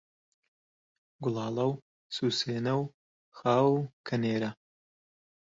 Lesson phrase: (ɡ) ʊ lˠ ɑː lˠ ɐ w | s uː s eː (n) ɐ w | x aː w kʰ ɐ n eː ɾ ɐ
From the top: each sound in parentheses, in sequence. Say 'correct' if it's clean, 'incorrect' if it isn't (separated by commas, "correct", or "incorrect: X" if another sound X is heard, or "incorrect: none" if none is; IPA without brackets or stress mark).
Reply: correct, correct